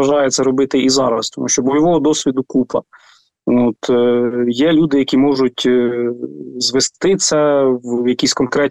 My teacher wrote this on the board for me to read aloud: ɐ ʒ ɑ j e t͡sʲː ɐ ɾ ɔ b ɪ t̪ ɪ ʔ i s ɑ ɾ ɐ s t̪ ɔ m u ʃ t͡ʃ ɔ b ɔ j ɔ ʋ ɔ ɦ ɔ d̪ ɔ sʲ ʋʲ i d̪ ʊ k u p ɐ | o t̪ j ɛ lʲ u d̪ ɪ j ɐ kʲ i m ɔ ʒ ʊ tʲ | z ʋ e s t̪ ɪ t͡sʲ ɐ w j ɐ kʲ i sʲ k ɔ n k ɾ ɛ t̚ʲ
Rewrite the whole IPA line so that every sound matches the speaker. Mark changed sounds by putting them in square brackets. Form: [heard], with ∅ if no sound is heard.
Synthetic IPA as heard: ɐ ʒ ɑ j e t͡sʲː ɐ ɾ ɔ b ɪ t̪ ɪ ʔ i [z] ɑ ɾ ɐ s t̪ ɔ m u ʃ t͡ʃ ɔ b ɔ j ɔ ʋ ɔ ɦ ɔ d̪ ɔ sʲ ʋʲ i d̪ ʊ k u p ɐ | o t̪ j ɛ lʲ u d̪ ɪ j ɐ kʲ i m ɔ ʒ ʊ tʲ | z ʋ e s t̪ ɪ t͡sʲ ɐ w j ɐ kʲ i sʲ k ɔ n k ɾ ɛ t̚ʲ